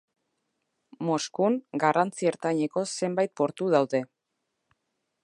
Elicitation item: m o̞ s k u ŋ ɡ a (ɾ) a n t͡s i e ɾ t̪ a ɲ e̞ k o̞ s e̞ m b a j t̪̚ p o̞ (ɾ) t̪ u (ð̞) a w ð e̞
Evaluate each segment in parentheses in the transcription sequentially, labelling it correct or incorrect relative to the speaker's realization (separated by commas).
incorrect, correct, correct